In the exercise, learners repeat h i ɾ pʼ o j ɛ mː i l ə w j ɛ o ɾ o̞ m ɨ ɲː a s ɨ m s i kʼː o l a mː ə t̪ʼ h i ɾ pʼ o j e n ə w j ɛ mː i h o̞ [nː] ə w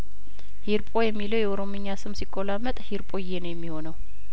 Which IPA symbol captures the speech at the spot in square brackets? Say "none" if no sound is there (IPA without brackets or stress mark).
n